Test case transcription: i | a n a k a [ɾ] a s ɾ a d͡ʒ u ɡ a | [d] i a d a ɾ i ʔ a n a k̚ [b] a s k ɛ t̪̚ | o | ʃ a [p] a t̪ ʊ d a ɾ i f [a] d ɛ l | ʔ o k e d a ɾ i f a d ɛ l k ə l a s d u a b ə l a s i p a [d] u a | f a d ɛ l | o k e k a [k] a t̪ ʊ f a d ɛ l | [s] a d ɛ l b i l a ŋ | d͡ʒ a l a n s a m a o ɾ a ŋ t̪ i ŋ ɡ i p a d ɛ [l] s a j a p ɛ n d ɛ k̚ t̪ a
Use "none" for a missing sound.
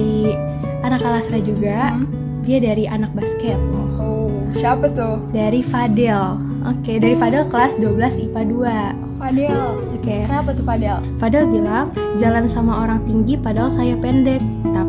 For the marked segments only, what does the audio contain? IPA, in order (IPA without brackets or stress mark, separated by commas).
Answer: l, d, b, p, a, d, p, f, l